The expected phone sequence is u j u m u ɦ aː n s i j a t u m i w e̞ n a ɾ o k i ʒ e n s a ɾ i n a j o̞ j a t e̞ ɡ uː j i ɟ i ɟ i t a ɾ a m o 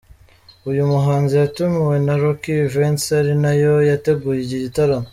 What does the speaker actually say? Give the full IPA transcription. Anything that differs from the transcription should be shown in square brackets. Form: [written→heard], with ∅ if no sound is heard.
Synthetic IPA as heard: u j u m u ɦ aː n [s→z] i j a t u m i w e̞ n a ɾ o k i [ʒ→v] e n s a ɾ i n a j o̞ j a t e̞ ɡ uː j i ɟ i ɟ i t a ɾ a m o

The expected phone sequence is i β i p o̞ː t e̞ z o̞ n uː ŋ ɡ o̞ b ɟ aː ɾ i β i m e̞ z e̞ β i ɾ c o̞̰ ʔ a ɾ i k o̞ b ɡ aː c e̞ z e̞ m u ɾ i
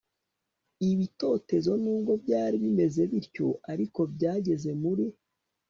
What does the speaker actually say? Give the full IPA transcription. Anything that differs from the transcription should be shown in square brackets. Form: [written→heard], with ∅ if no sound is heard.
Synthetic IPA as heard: i β i [p→t] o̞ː t e̞ z o̞ n uː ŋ ɡ o̞ b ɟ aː ɾ i β i m e̞ z e̞ β i ɾ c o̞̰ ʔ a ɾ i k o̞ b [ɡ→ɟ] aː [c→ɟ] e̞ z e̞ m u ɾ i

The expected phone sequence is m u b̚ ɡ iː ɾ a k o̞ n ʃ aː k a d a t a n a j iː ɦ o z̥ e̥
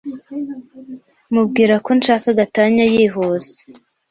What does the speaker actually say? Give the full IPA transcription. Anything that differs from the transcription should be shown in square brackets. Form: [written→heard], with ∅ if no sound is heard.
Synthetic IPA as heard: m u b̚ ɡ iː ɾ a k o̞ n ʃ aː k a [d→ɡ] a t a [n→ɲ] a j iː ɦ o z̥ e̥

